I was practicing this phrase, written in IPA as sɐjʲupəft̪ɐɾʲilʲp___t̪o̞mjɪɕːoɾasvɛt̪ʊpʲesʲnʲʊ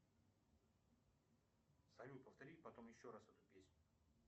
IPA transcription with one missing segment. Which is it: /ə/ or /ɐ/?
ɐ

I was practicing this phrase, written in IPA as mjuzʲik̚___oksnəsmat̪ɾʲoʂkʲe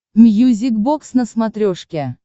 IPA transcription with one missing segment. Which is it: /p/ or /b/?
b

